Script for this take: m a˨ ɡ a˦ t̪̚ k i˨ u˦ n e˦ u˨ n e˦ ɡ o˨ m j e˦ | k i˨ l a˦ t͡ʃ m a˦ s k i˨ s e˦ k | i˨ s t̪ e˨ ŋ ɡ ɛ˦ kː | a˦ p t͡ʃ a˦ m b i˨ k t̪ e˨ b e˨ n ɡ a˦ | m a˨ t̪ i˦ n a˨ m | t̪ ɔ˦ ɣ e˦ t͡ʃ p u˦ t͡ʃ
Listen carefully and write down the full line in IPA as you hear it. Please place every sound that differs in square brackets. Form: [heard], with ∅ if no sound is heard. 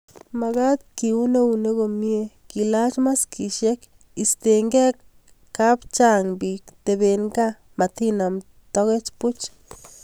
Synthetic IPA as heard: m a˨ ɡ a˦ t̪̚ k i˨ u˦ n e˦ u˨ n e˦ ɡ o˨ m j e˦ | k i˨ l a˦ t͡ʃ m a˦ s k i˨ [ʃ] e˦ k | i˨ s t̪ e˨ ŋ ɡ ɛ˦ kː | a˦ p t͡ʃ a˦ [ŋ] b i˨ k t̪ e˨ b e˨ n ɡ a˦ | m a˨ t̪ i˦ n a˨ m | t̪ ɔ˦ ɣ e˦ t͡ʃ p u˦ t͡ʃ

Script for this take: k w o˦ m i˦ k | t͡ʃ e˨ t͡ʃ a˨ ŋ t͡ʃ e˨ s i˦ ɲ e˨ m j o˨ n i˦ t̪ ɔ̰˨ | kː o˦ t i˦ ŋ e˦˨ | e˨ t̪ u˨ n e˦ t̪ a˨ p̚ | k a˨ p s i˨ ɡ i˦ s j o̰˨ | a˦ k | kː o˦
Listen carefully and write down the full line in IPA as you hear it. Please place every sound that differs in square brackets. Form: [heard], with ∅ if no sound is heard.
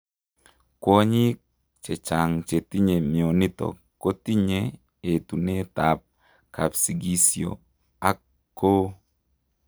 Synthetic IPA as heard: k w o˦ [ɲ] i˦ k | t͡ʃ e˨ t͡ʃ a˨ ŋ t͡ʃ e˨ [t] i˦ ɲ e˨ m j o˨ n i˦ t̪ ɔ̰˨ | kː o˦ t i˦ [ɲ] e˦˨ | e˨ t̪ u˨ n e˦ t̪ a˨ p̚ | k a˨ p s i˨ ɡ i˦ s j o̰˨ | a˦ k | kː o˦

